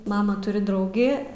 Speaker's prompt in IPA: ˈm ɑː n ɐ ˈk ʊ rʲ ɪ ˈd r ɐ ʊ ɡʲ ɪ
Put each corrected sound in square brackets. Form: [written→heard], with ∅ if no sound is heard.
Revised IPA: ˈm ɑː [n→m] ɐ [ˈk→ˈt] ʊ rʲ ɪ ˈd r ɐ ʊ ɡʲ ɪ